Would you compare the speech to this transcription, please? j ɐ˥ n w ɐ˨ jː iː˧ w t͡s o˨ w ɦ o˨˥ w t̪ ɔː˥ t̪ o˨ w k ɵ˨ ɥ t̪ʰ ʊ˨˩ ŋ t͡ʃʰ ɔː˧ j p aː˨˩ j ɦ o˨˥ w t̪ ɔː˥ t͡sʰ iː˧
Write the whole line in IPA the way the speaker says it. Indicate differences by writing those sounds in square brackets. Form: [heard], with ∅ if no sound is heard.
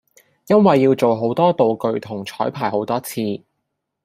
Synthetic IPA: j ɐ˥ n w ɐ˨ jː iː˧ w t͡s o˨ w ɦ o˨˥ w t̪ ɔː˥ t̪ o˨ w k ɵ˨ ɥ t̪ʰ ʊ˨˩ ŋ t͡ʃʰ [ɔː˨˥] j [pʰ] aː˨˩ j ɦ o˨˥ w t̪ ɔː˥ t͡sʰ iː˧